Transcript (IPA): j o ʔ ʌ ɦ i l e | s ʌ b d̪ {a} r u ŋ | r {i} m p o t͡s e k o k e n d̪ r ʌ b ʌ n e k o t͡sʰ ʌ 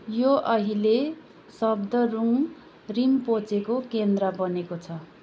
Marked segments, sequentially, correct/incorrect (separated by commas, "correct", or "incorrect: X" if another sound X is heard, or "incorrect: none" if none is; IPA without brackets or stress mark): incorrect: ʌ, correct